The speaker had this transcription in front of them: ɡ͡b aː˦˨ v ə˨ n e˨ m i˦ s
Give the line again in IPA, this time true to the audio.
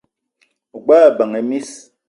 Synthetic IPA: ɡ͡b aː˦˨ b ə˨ ŋ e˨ m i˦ s